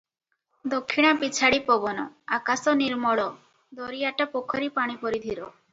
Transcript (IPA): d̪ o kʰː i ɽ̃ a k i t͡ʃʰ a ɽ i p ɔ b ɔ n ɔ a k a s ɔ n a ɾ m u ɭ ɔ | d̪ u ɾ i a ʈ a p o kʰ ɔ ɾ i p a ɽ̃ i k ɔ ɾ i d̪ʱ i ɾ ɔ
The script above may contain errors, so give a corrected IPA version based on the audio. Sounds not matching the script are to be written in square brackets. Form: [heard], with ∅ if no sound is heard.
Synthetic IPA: d̪ o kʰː i ɽ̃ a [p] i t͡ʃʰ a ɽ i p ɔ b ɔ n ɔ a k a s ɔ n [i] ɾ m [ɔ] ɭ ɔ | d̪ [ɔ] ɾ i a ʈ a p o kʰ ɔ ɾ i p a ɽ̃ i [p] ɔ ɾ i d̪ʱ i ɾ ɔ